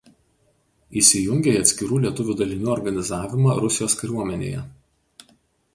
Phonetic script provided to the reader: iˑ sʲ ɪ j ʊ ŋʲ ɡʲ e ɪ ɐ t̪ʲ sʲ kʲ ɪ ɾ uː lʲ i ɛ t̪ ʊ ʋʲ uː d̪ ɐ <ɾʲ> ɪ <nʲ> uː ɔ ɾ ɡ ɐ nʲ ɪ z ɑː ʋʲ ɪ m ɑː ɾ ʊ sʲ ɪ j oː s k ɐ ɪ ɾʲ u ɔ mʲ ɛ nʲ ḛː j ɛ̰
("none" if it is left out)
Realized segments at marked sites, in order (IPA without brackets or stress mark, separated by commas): lʲ, nʲ